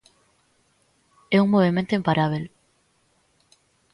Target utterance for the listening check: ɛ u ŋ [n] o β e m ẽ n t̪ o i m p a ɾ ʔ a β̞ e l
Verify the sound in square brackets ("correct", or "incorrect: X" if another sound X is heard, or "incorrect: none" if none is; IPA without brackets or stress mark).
incorrect: m